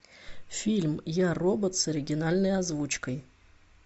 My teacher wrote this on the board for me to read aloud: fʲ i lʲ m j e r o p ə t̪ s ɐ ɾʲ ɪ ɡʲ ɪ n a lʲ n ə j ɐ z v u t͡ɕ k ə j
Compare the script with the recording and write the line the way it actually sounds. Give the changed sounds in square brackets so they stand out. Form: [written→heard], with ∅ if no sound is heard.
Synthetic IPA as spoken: fʲ i lʲ m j [e→a] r o [p→b] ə t̪ s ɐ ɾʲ ɪ ɡʲ ɪ n a lʲ n ə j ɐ z v u t͡ɕ k ə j